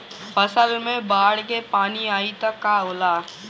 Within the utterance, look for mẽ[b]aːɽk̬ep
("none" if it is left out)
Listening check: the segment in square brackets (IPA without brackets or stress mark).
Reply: b